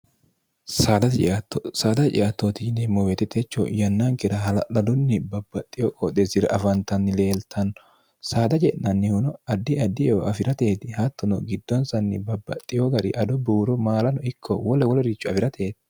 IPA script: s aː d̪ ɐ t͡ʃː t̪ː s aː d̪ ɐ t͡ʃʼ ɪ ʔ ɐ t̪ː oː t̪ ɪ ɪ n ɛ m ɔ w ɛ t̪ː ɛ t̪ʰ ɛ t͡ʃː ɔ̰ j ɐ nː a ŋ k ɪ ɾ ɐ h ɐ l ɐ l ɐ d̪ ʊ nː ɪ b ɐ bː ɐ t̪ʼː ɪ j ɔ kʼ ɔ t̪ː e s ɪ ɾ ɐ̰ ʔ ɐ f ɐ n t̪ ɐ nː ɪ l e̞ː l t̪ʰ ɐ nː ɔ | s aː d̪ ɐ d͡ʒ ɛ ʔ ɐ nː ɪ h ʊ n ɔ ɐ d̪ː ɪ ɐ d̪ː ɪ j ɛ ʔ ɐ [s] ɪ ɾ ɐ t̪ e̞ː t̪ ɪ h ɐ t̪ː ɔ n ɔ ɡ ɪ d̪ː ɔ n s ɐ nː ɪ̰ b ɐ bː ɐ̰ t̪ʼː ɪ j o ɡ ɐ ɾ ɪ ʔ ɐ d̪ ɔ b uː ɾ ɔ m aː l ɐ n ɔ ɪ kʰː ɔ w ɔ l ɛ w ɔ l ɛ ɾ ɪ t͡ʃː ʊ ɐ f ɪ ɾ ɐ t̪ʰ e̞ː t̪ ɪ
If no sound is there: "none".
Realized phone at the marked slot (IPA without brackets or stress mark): f